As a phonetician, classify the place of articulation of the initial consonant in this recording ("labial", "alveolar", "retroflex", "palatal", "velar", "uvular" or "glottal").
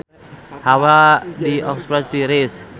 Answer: glottal